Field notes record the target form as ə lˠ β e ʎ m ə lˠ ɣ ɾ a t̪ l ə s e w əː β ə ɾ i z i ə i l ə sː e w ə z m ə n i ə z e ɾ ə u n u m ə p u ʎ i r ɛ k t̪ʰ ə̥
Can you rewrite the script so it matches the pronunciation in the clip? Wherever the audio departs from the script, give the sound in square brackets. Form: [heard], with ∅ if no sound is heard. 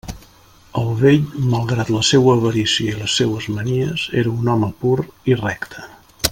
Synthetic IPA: ə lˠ β e ʎ m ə lˠ ɣ ɾ a t̪ l ə s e w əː β ə ɾ i [s] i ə i l ə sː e w ə z m ə n i ə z e ɾ ə u n [ɔ] m ə p u [ɾ] i r ɛ k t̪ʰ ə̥